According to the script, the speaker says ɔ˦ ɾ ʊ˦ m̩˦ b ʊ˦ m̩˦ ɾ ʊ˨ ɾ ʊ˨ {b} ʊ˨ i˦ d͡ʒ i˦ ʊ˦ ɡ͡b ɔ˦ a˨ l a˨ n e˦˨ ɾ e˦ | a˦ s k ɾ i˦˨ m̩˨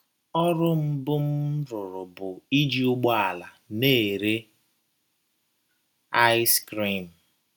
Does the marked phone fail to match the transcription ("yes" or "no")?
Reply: no